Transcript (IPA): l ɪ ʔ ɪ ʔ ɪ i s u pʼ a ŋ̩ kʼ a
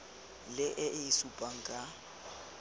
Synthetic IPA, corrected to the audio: l ɪ ʔ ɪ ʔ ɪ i s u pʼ a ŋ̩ kʼ a